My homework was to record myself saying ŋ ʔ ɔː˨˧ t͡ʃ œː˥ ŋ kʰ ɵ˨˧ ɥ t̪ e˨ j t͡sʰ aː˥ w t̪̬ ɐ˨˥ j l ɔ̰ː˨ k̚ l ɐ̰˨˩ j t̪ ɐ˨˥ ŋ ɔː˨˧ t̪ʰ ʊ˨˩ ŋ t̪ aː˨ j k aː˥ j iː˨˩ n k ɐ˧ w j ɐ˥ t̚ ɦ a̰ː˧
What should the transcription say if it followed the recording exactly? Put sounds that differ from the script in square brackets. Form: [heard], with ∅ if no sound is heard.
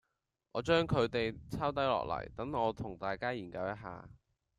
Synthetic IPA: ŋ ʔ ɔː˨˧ t͡ʃ œː˥ ŋ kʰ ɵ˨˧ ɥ t̪ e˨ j t͡sʰ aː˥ w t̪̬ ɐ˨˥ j l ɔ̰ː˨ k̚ l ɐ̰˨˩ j t̪ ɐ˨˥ ŋ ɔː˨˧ t̪ʰ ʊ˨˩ ŋ t̪ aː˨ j k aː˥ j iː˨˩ n k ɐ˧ w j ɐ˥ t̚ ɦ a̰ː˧